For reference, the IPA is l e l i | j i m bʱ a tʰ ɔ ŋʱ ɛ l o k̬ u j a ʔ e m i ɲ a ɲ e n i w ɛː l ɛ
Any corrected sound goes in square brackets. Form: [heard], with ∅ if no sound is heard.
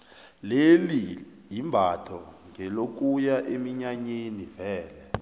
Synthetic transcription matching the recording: l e l i | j i m bʱ a tʰ ɔ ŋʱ ɛ l o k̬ u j a ʔ e m i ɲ a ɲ e n i [v] ɛː l ɛ

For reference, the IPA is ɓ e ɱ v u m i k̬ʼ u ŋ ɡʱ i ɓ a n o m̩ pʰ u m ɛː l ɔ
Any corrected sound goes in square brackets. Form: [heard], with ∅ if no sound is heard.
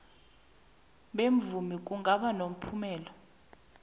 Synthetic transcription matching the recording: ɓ e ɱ v u m i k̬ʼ u ŋ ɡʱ [a] ɓ a n o m̩ pʰ u m ɛː l ɔ

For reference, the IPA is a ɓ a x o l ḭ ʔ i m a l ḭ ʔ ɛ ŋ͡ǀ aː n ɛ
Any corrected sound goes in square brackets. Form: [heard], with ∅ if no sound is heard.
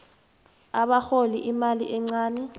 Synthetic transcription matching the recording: a ɓ a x o l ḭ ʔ i m a l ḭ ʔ ɛ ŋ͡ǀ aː n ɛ

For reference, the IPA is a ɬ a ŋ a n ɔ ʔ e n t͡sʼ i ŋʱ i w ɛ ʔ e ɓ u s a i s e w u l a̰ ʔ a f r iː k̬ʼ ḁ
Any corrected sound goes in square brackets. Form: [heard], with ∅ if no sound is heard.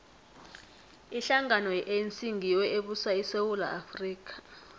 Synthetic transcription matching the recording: [i] ɬ a ŋ a n ɔ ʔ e n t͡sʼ i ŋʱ i w ɛ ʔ e ɓ u s a i s e w u l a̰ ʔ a f r iː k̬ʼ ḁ

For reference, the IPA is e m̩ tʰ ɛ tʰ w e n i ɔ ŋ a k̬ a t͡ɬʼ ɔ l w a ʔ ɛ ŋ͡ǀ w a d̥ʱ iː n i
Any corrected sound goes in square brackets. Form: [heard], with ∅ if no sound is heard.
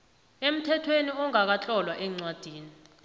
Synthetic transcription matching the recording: e m̩ tʰ ɛ tʰ w e n i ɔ ŋ a k̬ a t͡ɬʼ ɔ l w a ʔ ɛ ŋ͡ǀ w a d̥ʱ iː n i

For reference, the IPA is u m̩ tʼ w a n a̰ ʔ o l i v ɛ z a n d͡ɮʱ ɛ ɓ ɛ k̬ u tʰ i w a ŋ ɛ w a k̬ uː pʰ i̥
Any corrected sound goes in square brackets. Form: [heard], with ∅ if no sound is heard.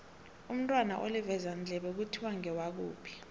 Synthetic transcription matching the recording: u m̩ tʼ w a n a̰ ʔ o l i v ɛ z a n d͡ɮʱ ɛ ɓ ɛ k̬ u tʰ i w a ŋ ɛ w a k̬ uː pʰ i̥

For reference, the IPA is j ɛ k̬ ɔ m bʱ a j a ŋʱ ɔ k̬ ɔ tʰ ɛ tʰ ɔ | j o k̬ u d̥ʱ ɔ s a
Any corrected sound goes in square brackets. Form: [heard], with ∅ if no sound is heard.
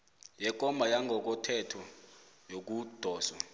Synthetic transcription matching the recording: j ɛ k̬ ɔ m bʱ a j a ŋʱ ɔ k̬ ɔ tʰ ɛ tʰ ɔ | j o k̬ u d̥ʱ [ɔː] s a

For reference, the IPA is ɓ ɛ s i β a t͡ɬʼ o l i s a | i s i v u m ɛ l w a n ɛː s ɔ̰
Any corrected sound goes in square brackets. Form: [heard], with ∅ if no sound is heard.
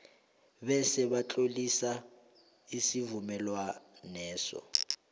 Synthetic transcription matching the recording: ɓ ɛ s [ɛ] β a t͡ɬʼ o l i s a | i s i v u m ɛ l w a n ɛː s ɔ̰

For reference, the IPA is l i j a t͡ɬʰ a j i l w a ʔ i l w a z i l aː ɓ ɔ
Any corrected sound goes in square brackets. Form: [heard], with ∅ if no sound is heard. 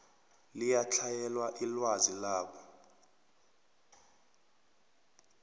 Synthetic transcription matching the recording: l i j a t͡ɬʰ a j [ɛ] l w a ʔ i l w a z i l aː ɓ ɔ

